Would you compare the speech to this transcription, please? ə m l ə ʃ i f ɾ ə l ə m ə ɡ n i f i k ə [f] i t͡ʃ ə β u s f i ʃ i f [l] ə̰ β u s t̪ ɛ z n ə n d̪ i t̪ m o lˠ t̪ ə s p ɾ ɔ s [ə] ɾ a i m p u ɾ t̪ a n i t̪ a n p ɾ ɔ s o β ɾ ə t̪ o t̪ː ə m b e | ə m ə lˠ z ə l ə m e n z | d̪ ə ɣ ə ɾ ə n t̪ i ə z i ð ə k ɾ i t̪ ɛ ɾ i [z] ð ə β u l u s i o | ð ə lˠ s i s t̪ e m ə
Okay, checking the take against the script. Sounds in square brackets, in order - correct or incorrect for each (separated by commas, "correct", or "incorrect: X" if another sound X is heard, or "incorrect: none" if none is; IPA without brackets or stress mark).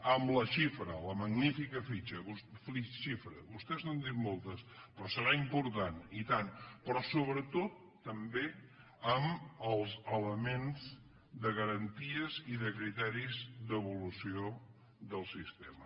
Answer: correct, incorrect: ɾ, correct, correct